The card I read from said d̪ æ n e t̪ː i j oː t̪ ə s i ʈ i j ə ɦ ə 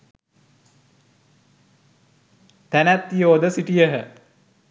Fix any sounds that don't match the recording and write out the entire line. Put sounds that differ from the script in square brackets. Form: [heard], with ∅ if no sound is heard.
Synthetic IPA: [t̪] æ n [æ] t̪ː i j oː [d̪] ə s i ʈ i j ə ɦ ə